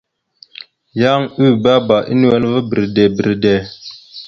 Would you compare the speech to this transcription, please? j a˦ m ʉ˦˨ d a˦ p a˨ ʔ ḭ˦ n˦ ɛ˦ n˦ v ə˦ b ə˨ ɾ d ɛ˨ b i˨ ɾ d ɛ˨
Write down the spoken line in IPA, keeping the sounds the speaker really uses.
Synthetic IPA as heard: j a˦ ŋ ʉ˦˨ b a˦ b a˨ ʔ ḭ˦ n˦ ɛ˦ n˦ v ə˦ b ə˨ ɾ d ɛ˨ b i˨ ɾ d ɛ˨